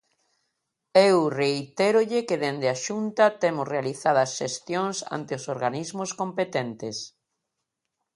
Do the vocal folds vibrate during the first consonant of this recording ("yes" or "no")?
yes